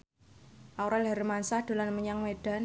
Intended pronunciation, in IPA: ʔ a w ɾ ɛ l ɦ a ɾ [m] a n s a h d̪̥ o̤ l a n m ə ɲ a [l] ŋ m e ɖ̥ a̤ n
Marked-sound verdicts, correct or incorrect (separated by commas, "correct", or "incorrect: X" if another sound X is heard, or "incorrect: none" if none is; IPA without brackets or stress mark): correct, incorrect: none